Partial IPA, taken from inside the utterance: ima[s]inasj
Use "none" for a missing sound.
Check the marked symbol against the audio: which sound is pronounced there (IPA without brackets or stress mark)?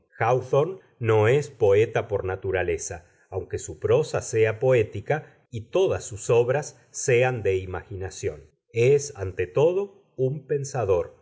x